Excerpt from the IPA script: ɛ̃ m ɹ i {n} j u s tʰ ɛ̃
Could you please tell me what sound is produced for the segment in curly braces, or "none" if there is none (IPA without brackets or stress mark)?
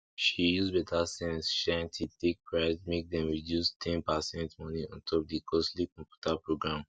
d